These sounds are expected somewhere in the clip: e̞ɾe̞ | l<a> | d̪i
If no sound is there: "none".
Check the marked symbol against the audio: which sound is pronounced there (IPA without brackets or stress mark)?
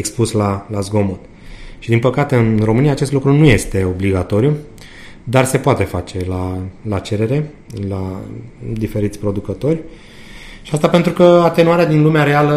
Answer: a